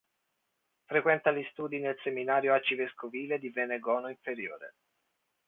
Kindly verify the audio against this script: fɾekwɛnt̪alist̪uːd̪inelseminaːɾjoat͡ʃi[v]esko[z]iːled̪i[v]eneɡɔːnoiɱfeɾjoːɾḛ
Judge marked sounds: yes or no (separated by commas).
yes, no, yes